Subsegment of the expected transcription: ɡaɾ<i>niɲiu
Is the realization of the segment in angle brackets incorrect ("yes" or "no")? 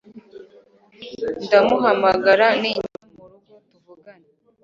yes